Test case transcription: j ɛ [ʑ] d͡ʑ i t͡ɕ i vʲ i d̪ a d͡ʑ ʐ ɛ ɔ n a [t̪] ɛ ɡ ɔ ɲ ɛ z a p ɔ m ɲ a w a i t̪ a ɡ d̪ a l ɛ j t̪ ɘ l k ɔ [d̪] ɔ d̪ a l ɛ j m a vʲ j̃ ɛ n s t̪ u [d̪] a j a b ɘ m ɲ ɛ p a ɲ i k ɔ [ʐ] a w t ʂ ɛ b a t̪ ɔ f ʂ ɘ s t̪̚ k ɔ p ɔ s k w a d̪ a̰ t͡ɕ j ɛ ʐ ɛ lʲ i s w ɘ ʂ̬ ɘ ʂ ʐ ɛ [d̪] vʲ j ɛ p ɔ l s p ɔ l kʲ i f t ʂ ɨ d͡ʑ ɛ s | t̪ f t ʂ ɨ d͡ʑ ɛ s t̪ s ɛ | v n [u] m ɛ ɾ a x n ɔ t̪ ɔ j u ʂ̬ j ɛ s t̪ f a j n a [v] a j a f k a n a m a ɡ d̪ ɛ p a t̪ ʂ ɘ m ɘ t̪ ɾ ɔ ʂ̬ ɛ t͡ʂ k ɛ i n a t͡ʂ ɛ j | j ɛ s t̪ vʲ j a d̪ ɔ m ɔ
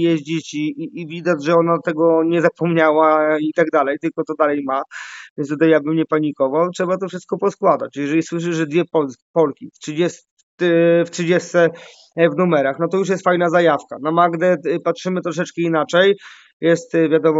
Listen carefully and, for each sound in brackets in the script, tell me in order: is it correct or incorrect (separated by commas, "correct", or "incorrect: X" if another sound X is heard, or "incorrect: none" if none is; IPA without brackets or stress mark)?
correct, correct, incorrect: t̪, incorrect: t̪, incorrect: v, correct, correct, incorrect: z